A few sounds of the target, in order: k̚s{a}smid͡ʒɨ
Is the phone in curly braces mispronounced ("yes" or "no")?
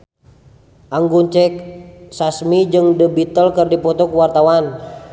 no